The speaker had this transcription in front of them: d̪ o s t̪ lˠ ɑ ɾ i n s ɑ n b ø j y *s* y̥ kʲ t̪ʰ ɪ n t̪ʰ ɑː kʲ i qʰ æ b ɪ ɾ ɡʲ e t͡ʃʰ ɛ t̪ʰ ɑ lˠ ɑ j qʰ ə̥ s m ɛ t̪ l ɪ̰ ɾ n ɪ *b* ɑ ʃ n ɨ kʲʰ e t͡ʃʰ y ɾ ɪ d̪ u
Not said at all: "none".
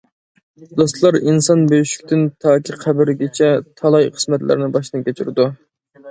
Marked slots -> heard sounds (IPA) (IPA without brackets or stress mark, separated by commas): ʃ, b